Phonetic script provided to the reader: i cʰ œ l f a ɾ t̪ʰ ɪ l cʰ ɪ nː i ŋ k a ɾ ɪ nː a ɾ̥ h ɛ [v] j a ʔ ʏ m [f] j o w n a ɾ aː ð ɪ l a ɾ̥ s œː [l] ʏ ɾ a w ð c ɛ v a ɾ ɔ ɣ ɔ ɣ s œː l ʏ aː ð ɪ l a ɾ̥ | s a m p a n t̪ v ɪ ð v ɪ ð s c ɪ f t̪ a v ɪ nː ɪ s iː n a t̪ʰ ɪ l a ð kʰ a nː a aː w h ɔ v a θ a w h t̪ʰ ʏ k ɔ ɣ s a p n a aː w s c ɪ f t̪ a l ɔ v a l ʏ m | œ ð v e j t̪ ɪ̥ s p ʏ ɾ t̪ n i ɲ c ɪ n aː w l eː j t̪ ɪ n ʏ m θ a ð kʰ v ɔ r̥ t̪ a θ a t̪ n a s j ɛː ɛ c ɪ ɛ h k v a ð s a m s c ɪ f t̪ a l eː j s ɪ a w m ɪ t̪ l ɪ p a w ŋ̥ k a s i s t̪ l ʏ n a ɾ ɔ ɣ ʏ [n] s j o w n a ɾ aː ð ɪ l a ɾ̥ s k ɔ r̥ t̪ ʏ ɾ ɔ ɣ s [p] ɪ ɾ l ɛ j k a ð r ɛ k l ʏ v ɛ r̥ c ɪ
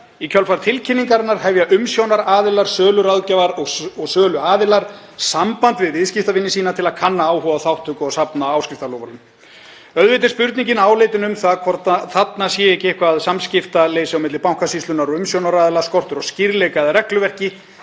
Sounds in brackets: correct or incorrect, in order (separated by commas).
correct, incorrect, correct, incorrect, incorrect